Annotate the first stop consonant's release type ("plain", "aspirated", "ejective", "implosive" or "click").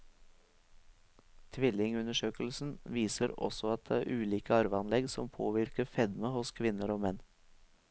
aspirated